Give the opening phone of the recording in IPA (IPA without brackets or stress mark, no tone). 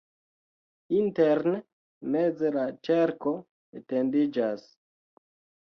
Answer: i